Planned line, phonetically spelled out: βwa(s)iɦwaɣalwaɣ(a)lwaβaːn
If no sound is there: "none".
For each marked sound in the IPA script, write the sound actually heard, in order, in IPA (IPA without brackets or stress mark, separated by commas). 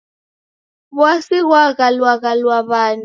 s, a